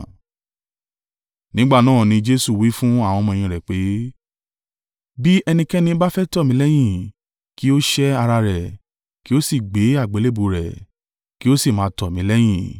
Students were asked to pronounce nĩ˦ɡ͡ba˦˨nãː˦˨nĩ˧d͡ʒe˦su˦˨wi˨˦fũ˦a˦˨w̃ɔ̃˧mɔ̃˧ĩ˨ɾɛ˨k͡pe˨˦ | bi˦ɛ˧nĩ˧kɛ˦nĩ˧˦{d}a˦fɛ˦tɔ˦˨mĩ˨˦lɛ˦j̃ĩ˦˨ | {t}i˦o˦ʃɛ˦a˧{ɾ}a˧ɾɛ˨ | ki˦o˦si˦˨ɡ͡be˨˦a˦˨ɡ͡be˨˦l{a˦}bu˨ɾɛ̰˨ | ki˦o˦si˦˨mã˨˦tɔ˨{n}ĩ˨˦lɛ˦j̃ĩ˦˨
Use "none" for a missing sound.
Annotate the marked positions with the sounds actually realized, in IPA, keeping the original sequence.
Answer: b, k, ɾ, e˦, m

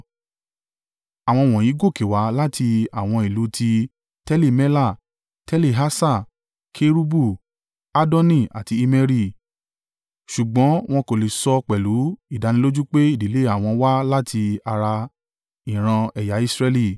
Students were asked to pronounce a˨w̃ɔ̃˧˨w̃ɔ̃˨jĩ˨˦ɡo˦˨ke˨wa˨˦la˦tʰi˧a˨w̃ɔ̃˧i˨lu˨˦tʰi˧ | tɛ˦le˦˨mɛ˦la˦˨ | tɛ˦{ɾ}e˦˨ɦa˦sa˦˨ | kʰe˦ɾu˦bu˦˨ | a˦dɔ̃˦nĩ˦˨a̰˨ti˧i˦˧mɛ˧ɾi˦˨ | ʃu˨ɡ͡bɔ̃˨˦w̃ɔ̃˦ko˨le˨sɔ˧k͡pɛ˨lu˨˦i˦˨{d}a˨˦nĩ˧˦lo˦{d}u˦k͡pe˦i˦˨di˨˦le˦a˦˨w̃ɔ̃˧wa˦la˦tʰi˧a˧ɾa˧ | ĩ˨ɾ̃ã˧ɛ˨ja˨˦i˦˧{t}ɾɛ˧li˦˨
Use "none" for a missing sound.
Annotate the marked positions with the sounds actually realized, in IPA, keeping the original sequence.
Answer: l, d, d͡ʒ, s

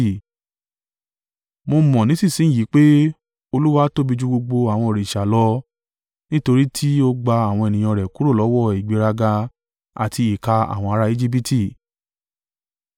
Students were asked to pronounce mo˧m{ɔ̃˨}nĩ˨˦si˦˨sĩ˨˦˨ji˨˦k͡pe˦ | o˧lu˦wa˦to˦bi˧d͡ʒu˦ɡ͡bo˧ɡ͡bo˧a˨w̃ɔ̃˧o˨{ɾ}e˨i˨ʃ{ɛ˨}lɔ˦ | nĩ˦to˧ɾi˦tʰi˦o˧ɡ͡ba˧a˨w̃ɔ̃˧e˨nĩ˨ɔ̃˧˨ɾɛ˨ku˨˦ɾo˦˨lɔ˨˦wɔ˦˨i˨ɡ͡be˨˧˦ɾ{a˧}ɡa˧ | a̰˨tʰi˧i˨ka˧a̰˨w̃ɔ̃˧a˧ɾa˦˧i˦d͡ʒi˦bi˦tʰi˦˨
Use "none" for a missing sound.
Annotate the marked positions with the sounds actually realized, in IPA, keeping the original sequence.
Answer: ɔ̃˨, ɾ, a˨, a˧

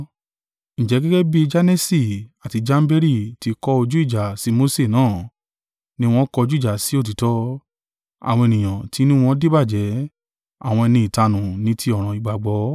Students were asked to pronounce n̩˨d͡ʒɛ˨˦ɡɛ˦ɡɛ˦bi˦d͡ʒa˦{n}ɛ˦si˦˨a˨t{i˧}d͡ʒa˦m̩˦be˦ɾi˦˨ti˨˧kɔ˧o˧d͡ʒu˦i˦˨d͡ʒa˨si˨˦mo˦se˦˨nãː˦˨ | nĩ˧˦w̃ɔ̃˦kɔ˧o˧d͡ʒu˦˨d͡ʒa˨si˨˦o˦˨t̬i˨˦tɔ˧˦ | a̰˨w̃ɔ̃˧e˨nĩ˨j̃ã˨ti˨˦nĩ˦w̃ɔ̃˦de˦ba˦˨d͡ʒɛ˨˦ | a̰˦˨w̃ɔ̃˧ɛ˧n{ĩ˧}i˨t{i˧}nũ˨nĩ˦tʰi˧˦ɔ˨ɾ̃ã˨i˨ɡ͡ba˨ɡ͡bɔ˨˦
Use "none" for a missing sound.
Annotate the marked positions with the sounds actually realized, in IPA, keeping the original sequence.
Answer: n, i˧, ĩ˧, a˧

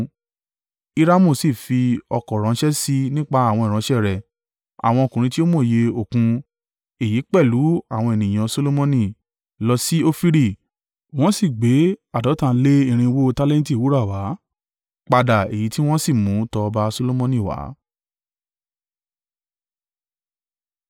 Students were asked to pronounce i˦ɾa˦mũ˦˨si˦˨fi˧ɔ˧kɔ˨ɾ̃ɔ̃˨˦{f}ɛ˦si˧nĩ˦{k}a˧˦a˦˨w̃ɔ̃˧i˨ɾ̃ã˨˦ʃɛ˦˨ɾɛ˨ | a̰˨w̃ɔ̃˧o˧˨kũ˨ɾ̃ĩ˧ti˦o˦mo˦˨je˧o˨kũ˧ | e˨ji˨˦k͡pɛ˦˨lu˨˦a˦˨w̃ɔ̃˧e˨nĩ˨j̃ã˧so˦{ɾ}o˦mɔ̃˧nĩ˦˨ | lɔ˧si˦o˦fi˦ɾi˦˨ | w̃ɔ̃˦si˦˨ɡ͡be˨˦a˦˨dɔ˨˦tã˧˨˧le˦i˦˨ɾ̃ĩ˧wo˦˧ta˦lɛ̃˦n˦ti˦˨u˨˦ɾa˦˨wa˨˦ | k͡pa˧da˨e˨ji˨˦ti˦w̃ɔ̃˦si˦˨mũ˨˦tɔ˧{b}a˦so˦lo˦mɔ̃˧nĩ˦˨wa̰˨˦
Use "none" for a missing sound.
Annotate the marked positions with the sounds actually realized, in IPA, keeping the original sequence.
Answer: ʃ, k͡p, l, b

